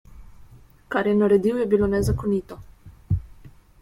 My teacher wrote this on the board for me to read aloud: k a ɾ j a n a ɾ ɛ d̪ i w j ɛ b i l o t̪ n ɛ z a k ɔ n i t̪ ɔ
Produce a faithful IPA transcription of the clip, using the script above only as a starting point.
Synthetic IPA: k a ɾ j ɛ n a ɾ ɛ d̪ i w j ɛ b i l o n ɛ z a k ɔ n i t̪ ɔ